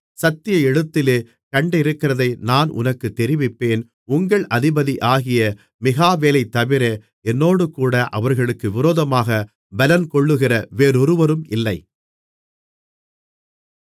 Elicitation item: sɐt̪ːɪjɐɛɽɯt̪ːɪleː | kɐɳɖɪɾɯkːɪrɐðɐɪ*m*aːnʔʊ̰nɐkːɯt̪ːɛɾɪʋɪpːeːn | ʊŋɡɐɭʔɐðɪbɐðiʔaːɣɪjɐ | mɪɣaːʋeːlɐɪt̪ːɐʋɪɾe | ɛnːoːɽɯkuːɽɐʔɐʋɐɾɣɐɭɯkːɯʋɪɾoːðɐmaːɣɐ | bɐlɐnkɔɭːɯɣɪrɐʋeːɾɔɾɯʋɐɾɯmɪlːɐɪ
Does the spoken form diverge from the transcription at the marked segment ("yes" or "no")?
yes